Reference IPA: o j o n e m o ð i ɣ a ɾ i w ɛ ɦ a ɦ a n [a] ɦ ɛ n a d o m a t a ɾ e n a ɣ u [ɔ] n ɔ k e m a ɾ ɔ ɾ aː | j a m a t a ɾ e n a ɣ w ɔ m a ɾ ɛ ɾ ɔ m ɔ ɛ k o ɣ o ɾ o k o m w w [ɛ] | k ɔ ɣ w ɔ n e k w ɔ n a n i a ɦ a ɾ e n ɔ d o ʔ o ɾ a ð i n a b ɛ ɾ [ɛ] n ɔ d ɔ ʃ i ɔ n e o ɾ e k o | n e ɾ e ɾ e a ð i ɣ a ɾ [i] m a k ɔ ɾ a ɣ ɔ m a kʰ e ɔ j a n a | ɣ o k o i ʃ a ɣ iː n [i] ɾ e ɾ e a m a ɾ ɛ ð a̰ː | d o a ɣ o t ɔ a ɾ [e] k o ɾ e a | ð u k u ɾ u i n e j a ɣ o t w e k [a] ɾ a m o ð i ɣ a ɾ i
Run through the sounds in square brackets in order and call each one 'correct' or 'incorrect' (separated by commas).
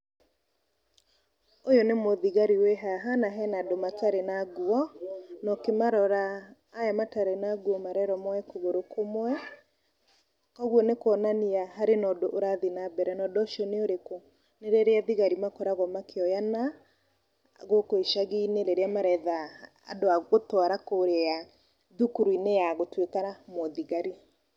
correct, correct, correct, correct, correct, incorrect, incorrect, correct